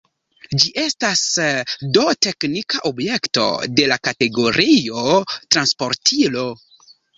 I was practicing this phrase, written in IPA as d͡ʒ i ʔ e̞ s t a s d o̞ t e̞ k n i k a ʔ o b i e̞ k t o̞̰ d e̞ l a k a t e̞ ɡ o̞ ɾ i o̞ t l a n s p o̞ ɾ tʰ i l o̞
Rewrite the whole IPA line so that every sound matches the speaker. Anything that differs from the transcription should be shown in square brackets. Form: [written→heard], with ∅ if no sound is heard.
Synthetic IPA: d͡ʒ i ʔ e̞ s t a s d o̞ t e̞ k n i k a ʔ o b [i→j] e̞ k t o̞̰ d e̞ l a k a t e̞ ɡ o̞ ɾ i o̞ t [l→ɾ] a n s p o̞ ɾ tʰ i l o̞